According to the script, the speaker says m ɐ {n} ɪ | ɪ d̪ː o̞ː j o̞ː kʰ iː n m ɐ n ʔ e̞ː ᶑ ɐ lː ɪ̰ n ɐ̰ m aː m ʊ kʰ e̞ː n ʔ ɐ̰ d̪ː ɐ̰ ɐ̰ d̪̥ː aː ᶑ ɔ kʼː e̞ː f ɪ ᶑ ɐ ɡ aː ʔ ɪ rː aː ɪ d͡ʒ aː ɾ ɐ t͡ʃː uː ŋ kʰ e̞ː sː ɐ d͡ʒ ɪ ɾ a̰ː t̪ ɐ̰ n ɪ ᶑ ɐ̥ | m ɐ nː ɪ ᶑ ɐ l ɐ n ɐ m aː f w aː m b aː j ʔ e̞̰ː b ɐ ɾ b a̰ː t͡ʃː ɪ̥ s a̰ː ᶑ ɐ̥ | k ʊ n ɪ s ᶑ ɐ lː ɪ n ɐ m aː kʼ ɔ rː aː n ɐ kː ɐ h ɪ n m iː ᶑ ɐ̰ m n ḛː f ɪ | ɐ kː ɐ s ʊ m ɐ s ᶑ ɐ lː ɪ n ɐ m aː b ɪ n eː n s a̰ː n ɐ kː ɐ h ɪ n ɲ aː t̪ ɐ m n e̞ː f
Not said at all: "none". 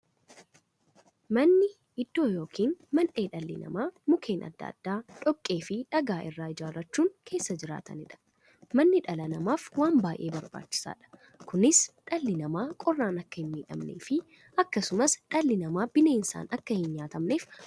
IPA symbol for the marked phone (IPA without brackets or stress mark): nː